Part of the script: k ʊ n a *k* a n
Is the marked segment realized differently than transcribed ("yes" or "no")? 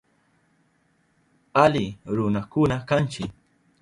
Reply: no